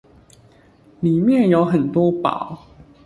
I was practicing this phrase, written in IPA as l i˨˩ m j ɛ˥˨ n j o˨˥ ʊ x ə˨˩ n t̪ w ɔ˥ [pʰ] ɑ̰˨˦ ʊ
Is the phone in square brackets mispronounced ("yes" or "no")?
yes